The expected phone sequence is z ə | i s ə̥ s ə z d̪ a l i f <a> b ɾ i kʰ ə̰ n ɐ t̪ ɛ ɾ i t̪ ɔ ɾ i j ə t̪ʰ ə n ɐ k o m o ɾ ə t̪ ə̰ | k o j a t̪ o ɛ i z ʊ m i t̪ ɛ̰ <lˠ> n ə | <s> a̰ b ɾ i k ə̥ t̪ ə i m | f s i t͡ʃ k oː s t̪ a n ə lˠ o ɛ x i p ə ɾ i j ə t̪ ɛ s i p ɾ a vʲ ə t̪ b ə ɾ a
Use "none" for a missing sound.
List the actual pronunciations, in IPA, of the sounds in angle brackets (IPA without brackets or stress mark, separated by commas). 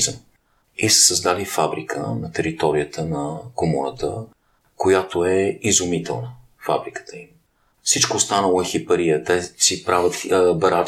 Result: a, lˠ, f